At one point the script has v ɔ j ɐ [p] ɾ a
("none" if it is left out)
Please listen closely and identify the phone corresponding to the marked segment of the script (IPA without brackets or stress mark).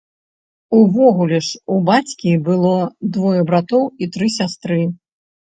b